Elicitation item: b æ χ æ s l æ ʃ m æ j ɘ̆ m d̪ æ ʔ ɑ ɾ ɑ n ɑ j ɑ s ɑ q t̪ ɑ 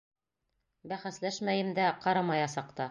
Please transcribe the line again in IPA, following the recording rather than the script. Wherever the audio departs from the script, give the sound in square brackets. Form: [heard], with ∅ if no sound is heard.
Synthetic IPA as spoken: b æ χ æ s l æ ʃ m æ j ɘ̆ m d̪ æ [q] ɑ ɾ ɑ [m] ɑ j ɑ s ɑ q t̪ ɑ